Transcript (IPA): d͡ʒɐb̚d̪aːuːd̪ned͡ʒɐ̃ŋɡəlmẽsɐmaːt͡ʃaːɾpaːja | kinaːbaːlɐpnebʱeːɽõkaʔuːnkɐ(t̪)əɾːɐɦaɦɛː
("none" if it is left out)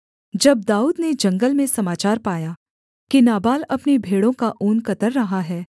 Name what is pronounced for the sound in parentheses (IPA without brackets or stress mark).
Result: t̪